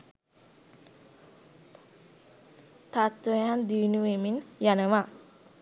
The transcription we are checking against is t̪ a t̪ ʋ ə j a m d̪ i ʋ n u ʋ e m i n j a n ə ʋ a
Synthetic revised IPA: t̪ a t̪ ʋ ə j a n d̪ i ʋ n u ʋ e m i n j a n ə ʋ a